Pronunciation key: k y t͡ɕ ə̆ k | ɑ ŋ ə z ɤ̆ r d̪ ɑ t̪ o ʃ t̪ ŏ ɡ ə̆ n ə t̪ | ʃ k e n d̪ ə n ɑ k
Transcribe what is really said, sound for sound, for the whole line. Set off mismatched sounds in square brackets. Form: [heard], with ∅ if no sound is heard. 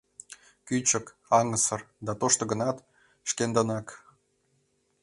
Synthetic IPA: k y t͡ɕ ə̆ k | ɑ ŋ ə [s] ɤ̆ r d̪ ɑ t̪ o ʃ t̪ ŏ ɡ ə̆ n [ɑ] t̪ | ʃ k e n d̪ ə n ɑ k